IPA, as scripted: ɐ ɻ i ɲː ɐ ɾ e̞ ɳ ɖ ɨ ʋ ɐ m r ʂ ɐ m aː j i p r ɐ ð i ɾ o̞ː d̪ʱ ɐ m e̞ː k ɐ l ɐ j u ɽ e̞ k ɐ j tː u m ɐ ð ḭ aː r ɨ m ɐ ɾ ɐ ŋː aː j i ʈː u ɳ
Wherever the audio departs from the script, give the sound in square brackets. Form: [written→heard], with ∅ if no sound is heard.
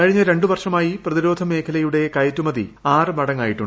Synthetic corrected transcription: ɐ ɻ i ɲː ɐ ɾ e̞ ɳ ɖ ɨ ʋ ɐ [m→∅] r ʂ ɐ m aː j i p r ɐ ð i ɾ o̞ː d̪ʱ ɐ m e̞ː [k→kʰ] ɐ l ɐ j u ɽ e̞ k ɐ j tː u m ɐ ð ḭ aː r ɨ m ɐ [ɾ→ɽ] ɐ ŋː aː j i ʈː u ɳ